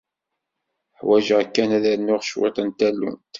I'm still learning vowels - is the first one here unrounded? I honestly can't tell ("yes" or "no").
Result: yes